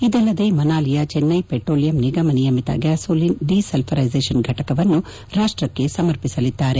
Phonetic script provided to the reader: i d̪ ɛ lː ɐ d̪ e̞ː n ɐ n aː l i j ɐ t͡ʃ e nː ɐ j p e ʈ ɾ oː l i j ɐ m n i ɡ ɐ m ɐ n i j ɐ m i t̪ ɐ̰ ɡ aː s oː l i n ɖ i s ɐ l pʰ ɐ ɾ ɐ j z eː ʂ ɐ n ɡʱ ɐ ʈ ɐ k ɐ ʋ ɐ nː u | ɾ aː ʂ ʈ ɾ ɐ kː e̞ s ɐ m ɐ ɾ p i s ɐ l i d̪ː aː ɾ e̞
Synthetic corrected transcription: i d̪ ɛ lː ɐ d̪ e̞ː m ɐ n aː l i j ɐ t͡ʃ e nː ɐ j p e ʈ ɾ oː l i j ɐ m n i ɡ ɐ m ɐ n i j ɐ m i t̪ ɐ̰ ɡ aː s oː l i n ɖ i s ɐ l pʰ ɐ ɾ ɐ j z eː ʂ ɐ n ɡʱ ɐ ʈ ɐ k ɐ ʋ ɐ nː u | ɾ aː ʂ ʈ ɾ ɐ kː e̞ s ɐ m ɐ ɾ p i s ɐ l i d̪ː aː ɾ e̞